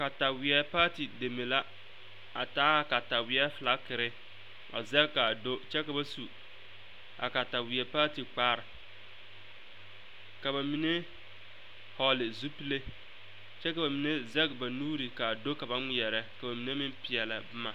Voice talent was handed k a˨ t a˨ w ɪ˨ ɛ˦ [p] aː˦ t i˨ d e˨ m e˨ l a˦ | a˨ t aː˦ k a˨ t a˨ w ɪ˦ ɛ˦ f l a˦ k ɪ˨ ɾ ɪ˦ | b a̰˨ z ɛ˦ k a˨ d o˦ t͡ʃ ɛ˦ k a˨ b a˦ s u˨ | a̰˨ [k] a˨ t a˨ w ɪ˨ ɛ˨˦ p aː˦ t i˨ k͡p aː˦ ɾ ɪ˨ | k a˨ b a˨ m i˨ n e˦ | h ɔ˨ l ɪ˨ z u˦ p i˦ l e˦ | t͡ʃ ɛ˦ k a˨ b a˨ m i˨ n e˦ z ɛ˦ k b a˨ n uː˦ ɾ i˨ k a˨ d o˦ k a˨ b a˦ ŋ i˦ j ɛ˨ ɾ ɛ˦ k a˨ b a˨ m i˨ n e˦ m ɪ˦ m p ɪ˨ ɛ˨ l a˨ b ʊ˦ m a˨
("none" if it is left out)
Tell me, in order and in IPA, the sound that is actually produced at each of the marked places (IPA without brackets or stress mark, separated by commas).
p, k